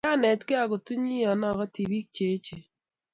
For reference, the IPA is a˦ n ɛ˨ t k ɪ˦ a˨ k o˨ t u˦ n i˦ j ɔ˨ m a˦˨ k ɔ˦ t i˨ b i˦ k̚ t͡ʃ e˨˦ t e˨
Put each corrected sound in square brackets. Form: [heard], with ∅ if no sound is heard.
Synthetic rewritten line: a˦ n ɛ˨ t k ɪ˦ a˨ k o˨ t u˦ [ɲ] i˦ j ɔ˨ [n] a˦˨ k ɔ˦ t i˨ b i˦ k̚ t͡ʃ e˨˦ [t͡ʃ] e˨